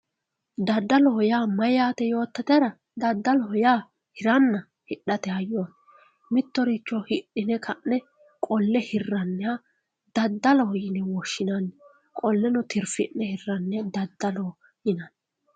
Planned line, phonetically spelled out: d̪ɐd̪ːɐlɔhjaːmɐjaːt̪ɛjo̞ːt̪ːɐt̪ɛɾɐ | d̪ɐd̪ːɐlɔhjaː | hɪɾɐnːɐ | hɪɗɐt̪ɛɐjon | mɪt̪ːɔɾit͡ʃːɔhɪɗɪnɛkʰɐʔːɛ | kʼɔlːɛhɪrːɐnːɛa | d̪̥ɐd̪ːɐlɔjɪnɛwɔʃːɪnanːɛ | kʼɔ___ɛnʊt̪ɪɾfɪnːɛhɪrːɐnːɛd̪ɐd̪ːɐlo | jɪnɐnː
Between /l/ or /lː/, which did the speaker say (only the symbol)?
lː